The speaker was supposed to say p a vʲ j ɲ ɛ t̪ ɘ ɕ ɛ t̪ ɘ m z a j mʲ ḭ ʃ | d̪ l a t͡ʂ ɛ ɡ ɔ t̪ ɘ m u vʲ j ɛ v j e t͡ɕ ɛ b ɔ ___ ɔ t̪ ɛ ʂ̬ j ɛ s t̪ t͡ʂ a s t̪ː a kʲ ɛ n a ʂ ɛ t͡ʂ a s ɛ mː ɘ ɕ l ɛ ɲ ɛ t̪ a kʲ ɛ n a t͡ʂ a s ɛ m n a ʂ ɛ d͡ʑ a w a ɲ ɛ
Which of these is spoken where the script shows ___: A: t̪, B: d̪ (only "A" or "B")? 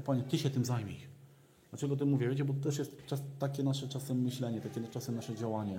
A